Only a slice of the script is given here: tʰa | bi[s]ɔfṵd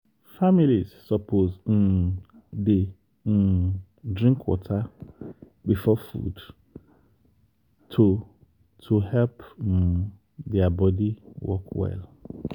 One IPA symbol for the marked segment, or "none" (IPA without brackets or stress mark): f